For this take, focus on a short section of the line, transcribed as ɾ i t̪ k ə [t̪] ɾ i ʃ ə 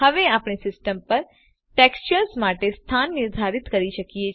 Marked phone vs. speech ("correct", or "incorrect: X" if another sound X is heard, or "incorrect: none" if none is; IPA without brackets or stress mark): incorrect: none